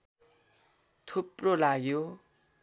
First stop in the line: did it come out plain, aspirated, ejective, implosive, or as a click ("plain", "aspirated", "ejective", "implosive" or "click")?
aspirated